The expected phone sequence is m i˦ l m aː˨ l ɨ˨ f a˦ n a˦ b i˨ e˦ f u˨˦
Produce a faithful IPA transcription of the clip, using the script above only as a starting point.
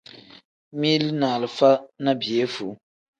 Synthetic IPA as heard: m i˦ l n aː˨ l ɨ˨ f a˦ n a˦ b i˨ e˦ f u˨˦